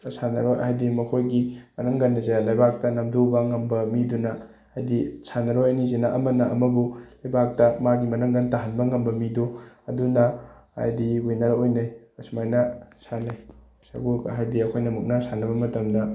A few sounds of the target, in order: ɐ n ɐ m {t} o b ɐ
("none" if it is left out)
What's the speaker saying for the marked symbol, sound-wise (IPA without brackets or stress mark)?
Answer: d